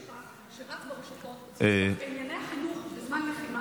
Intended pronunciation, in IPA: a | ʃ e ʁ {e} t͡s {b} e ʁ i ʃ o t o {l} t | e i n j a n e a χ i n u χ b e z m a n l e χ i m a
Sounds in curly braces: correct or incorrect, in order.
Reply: incorrect: a, correct, incorrect: none

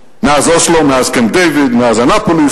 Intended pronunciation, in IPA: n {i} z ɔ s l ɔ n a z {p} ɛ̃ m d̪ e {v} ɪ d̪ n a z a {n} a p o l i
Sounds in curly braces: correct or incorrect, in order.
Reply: incorrect: a, incorrect: k, correct, correct

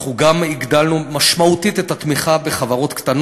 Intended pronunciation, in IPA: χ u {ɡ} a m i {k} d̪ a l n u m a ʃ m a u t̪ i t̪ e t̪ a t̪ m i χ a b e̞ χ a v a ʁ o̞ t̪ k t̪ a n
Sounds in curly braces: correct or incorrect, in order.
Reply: correct, incorrect: ɡ

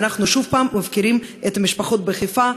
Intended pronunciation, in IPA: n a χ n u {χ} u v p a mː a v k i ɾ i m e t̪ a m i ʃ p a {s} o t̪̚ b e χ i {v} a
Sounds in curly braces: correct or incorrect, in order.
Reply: incorrect: ʃ, incorrect: χ, incorrect: f

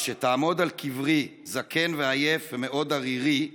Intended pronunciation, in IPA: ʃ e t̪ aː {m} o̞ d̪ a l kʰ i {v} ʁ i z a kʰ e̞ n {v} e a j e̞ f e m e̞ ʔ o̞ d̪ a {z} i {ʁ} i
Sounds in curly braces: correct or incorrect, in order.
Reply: correct, correct, correct, incorrect: ʁ, correct

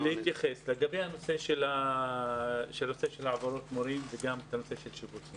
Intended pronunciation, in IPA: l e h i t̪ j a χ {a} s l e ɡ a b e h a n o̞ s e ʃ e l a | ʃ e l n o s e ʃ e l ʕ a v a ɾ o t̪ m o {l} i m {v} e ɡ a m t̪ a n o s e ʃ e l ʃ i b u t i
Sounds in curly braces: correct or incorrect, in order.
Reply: incorrect: e, incorrect: ɾ, correct

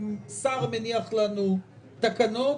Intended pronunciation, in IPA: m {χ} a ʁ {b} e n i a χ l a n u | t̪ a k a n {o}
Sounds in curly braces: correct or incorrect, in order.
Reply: incorrect: s, incorrect: m, correct

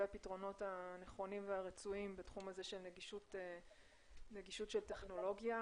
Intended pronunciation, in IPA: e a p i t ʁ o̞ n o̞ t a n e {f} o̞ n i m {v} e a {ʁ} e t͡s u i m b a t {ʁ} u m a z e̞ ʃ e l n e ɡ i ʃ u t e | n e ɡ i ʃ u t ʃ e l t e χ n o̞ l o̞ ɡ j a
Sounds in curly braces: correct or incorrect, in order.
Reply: incorrect: χ, correct, correct, incorrect: χ

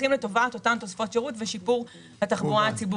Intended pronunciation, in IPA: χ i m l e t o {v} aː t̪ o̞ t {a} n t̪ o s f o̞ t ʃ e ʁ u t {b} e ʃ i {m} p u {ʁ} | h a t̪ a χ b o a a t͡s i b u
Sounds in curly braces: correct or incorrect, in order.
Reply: correct, correct, incorrect: v, incorrect: none, correct

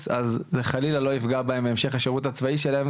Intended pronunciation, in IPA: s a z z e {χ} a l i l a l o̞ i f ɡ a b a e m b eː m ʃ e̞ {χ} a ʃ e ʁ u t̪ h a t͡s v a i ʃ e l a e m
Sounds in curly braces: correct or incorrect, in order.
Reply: correct, correct

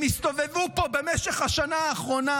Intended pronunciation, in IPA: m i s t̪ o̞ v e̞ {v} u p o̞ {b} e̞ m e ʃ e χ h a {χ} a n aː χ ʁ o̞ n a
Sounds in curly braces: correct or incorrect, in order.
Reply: correct, correct, incorrect: ʃ

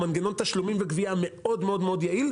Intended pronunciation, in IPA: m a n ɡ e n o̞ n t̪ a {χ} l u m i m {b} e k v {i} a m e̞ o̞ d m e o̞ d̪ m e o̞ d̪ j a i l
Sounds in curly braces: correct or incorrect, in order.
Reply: incorrect: ʃ, incorrect: v, correct

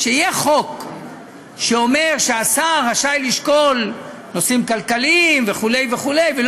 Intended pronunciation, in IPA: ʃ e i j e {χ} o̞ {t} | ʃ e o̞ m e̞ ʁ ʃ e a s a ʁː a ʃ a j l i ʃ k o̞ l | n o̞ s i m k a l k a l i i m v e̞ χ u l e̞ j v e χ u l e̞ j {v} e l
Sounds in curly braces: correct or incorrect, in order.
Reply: correct, incorrect: k, correct

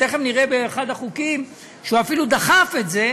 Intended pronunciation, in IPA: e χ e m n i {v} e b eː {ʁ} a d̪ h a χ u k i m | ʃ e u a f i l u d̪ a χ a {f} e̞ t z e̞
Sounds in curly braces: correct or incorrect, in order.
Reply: incorrect: ʁ, incorrect: χ, correct

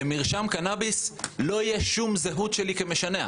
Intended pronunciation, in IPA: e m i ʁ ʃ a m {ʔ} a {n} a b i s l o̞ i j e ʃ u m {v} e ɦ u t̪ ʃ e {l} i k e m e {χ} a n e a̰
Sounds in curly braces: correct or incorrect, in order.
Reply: incorrect: k, correct, incorrect: z, correct, incorrect: ʃ

